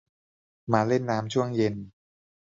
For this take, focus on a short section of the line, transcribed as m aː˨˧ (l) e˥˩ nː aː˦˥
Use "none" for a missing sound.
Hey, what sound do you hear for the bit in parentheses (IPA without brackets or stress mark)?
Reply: l